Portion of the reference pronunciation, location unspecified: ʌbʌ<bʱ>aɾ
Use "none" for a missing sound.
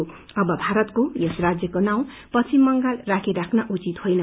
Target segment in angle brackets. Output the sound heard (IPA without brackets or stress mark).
bʱ